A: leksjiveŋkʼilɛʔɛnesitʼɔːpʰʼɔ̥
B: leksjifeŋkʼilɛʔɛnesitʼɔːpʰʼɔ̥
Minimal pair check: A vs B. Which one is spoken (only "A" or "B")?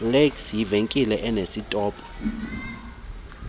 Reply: A